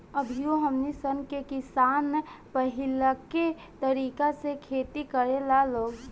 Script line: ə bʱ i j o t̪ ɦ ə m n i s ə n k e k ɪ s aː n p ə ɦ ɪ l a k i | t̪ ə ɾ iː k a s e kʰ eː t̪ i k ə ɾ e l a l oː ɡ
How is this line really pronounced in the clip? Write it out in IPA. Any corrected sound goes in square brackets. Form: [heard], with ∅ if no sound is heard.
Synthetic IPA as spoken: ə bʱ i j o [∅] ɦ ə m n i s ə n k e k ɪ s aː n p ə ɦ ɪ l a k [e] | t̪ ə ɾ iː k a s e kʰ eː t̪ i k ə ɾ e l a l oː ɡ